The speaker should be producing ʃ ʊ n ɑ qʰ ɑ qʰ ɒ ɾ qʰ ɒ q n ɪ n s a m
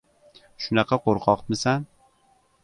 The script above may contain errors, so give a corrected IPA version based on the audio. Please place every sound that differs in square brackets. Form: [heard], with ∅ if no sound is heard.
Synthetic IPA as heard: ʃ ʊ n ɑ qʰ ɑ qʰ [o] ɾ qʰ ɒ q [m] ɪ [∅] s a [n]